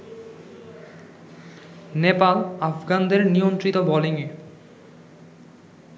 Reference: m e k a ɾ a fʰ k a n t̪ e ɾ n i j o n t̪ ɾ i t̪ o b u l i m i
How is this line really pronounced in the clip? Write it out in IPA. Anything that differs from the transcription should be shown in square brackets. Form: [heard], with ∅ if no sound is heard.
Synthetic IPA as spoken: [n] e [p] a [l] a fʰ [ɡ] a n [d̪] e ɾ n i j o n t̪ ɾ i t̪ o b [ɔ] l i [ŋ] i

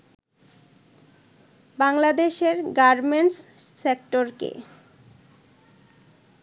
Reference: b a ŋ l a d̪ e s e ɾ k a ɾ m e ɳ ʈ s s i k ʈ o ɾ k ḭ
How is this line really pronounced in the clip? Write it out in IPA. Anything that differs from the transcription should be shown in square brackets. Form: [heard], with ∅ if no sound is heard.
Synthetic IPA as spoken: b a ŋ l a d̪ e [ʃ] e ɾ [ɡ] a ɾ m e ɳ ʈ s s [e] k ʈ o ɾ k [ḛ]

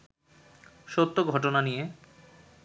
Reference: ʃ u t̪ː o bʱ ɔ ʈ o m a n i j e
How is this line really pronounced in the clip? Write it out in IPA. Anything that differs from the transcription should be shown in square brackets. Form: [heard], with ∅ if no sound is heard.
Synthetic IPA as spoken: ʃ [o] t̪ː o [ɡʱ] ɔ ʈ o [n] a n i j e

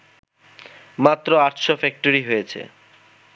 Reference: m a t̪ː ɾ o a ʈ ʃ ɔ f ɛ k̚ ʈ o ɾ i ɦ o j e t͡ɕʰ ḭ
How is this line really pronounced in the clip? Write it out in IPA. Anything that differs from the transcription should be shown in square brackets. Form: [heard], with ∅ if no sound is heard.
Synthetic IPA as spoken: m a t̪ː ɾ o a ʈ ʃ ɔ f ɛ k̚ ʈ o ɾ i ɦ o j e t͡ɕʰ [ḛ]

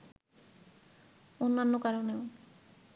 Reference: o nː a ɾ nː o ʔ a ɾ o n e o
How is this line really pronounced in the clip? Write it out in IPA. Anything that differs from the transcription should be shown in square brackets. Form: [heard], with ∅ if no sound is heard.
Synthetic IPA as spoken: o nː a [∅] nː o [k] a ɾ o n e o

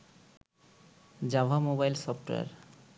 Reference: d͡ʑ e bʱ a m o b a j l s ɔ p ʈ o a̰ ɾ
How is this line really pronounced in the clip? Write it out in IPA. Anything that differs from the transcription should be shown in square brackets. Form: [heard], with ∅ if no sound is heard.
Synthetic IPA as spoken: d͡ʑ [a] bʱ a m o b a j l s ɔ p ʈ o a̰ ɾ

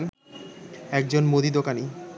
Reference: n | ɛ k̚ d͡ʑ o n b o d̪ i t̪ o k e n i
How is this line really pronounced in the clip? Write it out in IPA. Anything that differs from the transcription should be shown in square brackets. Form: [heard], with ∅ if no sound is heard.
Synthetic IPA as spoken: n | ɛ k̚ d͡ʑ o n [m] o d̪ i [d̪] o k [a] n i

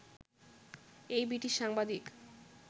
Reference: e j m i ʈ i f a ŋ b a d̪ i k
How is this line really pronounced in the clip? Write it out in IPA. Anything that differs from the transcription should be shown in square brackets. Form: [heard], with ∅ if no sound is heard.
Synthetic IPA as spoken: e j [b] i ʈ i [ʃ] a ŋ b a d̪ i k

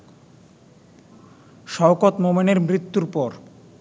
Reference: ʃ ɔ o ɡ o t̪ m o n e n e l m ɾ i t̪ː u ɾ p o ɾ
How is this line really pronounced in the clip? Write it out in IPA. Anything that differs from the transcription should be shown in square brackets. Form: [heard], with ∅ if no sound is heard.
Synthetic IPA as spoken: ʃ ɔ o [k] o t̪ m o [m] e n e [ɾ] m ɾ i t̪ː u ɾ p [ɔ] ɾ

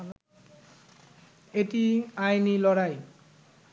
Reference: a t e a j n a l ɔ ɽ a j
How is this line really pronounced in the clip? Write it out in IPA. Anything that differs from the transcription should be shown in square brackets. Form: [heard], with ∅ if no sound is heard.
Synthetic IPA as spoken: [e] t [i] a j n [i] l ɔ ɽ a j

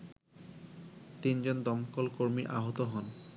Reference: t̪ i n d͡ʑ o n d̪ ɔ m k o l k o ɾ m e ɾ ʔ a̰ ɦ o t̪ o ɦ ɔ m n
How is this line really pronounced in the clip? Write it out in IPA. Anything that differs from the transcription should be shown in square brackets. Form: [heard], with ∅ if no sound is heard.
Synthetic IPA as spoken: t̪ i n d͡ʑ o n d̪ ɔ m k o l k o ɾ m [i] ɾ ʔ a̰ ɦ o t̪ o ɦ ɔ [∅] n

